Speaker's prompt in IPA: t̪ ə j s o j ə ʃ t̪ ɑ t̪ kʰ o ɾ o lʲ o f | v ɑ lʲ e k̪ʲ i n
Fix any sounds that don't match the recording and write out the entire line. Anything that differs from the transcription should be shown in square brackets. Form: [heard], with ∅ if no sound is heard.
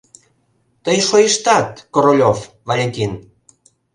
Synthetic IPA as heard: t̪ ə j [ʃ] o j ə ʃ t̪ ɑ t̪ [k] o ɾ o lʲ o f | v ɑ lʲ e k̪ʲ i n